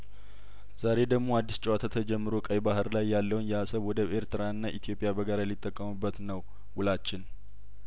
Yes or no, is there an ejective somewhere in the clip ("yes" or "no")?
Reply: yes